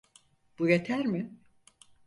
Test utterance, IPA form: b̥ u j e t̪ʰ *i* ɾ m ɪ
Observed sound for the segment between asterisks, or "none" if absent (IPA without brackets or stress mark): æ